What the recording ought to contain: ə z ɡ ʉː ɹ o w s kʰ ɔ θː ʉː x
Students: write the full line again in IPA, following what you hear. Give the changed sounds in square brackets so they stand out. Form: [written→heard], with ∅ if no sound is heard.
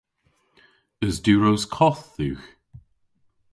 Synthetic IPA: ə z [ɡ→d] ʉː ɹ o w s kʰ ɔ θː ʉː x